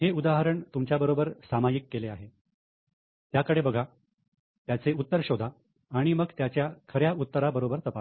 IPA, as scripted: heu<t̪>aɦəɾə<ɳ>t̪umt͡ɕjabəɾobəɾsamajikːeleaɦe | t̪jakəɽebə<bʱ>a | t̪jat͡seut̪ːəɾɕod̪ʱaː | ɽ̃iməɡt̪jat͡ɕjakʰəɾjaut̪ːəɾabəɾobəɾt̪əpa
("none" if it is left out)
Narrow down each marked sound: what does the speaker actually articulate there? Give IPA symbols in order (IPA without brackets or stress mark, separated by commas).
d̪, ɳ, ɡʱ